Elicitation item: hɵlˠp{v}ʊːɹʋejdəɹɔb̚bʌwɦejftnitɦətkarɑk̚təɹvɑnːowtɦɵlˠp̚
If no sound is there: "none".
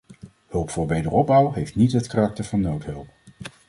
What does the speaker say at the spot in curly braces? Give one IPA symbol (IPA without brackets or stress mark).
f